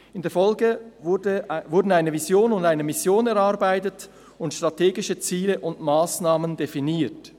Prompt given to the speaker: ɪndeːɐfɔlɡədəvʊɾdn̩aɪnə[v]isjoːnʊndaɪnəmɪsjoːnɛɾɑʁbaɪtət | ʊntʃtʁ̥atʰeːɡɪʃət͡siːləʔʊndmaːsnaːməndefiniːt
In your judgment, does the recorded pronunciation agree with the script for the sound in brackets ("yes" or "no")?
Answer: yes